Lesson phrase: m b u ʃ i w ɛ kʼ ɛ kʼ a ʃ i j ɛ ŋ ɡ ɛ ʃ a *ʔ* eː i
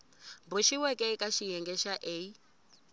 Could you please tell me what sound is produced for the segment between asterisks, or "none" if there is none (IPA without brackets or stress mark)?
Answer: ʔ